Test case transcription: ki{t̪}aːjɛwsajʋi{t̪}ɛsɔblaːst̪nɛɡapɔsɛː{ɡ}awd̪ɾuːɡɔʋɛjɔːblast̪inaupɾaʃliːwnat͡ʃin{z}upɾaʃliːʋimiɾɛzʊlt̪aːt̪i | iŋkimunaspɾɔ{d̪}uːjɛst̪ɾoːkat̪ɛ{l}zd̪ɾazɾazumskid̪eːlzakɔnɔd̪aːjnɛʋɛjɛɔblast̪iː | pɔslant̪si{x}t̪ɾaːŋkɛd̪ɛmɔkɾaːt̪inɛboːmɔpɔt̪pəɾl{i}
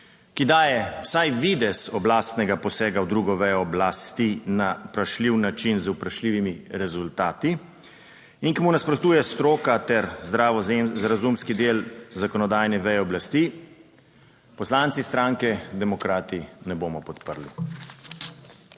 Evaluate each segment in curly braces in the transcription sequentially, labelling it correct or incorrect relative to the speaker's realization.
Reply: incorrect: d̪, incorrect: d̪, correct, correct, incorrect: t̪, incorrect: ɾ, incorrect: s, correct

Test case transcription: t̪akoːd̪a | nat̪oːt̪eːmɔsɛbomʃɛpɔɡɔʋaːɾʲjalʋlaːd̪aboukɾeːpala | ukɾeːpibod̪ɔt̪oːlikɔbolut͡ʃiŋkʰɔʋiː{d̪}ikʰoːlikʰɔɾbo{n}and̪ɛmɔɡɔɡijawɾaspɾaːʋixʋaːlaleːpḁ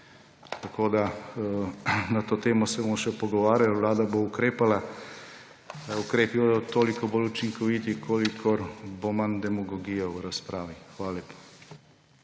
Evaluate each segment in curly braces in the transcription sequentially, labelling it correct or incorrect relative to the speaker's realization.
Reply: incorrect: t̪, incorrect: m

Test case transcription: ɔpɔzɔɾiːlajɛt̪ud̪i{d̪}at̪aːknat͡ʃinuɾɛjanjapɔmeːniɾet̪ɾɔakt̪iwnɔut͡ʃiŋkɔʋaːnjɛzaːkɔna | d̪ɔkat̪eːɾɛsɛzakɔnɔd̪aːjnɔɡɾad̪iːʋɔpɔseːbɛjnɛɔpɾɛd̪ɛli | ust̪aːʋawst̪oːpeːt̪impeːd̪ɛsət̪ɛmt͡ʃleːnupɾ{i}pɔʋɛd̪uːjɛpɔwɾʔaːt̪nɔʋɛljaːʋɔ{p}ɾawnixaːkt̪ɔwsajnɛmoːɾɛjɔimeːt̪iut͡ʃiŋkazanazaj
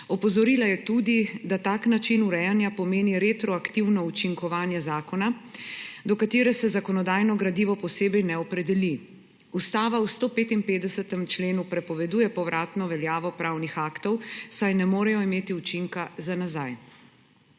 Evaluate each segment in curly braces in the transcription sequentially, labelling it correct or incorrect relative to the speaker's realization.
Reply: correct, incorrect: ɛ, correct

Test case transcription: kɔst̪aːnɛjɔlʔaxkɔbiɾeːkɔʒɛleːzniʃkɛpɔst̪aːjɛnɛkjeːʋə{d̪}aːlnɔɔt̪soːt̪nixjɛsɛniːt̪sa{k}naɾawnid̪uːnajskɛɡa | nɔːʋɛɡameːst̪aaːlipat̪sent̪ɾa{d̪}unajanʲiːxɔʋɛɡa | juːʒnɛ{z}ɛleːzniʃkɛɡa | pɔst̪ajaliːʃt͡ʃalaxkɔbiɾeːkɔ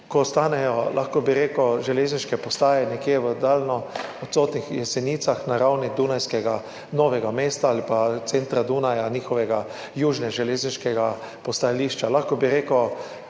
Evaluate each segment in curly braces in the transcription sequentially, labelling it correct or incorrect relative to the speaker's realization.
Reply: correct, incorrect: x, correct, incorrect: ʒ

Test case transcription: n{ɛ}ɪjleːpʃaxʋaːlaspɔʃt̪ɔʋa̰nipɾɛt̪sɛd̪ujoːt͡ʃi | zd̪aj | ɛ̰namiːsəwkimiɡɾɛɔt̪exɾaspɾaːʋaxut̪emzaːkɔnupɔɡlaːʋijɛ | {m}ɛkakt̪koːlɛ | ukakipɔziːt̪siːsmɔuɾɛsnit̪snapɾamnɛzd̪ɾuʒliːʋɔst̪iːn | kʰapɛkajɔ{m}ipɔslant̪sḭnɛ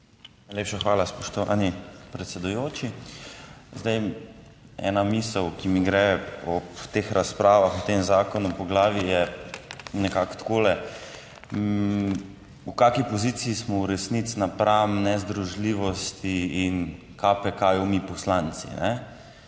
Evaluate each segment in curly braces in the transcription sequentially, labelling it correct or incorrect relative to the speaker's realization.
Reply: incorrect: a, incorrect: n, correct

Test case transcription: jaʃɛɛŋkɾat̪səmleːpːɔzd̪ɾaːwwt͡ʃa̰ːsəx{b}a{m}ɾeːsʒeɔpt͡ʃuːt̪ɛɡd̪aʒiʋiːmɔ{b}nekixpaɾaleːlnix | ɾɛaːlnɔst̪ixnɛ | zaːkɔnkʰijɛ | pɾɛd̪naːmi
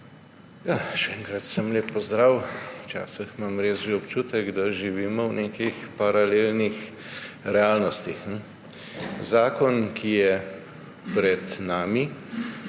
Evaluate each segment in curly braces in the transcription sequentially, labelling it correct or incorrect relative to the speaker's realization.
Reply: incorrect: m, correct, incorrect: w

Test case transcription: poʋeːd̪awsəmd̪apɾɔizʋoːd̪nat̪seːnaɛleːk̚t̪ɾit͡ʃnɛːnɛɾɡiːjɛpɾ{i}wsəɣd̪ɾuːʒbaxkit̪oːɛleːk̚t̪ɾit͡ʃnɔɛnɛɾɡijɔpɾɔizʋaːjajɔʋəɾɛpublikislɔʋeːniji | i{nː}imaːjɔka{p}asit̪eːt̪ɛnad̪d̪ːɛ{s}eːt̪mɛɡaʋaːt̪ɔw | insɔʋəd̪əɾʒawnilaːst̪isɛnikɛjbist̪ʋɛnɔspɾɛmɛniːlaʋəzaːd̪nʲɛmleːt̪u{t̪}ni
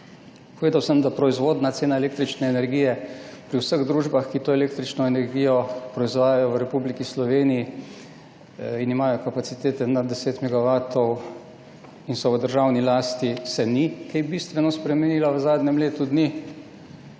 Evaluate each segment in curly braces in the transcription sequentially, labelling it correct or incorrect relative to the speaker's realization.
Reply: correct, incorrect: n, correct, correct, incorrect: d̪

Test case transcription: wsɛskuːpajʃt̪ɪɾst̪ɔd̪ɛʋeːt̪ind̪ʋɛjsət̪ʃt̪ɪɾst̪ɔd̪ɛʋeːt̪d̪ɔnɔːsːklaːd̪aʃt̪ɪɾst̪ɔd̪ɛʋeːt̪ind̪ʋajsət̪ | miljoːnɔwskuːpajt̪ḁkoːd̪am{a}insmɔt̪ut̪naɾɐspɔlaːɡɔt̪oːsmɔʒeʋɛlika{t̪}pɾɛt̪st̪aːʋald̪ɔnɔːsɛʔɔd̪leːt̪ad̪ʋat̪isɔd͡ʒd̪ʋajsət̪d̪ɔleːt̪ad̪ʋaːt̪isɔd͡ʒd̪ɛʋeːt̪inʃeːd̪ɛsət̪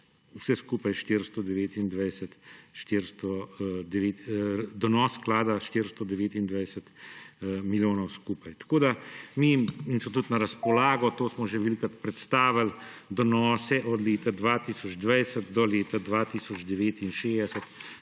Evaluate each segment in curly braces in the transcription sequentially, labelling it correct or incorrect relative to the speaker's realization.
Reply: incorrect: i, correct

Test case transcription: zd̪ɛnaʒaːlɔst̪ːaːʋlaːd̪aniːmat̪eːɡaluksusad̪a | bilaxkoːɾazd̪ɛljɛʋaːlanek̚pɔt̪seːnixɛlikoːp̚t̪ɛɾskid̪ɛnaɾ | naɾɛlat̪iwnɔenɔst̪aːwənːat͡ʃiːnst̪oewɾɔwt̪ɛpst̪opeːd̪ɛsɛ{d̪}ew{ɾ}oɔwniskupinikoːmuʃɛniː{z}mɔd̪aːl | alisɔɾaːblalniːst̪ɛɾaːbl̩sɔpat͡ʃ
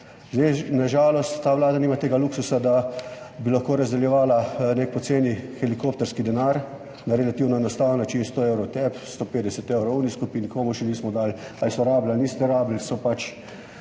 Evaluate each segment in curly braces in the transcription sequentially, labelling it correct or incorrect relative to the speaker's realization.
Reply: incorrect: t̪, correct, incorrect: s

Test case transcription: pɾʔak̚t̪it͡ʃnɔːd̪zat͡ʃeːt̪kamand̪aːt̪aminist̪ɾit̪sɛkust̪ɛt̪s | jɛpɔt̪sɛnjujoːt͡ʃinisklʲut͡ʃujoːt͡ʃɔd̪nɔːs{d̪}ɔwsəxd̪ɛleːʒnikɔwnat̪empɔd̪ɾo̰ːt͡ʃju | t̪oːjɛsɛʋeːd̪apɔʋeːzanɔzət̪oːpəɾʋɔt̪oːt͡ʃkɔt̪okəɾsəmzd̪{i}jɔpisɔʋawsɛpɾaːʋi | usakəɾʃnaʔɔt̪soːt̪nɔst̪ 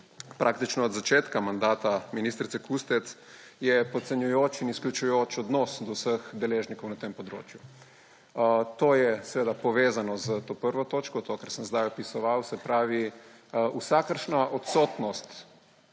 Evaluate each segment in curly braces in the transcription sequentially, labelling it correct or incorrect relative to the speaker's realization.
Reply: correct, incorrect: a

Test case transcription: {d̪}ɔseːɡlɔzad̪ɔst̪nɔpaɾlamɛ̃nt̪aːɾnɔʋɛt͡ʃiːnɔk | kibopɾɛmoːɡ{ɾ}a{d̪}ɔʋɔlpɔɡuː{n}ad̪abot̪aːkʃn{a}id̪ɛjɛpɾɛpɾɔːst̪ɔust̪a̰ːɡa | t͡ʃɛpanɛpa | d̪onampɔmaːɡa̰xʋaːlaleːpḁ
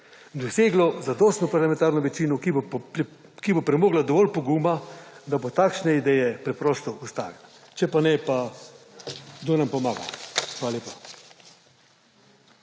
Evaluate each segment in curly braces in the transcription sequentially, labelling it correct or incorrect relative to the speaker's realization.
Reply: correct, incorrect: l, correct, incorrect: m, incorrect: ɛ

